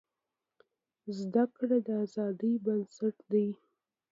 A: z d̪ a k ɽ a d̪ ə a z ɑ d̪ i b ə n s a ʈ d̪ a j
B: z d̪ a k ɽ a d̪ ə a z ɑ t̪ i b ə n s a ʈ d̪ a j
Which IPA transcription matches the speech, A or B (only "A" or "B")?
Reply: A